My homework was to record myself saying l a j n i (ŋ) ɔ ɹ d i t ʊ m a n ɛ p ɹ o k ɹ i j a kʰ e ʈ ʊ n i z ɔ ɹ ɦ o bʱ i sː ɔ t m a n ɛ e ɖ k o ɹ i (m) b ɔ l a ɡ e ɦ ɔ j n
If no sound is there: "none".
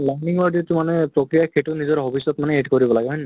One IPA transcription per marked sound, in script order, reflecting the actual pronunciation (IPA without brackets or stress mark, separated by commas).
ŋ, none